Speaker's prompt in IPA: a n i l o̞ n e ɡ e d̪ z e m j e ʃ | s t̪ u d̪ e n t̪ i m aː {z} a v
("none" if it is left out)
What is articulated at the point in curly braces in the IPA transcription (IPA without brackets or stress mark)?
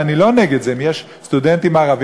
ʁ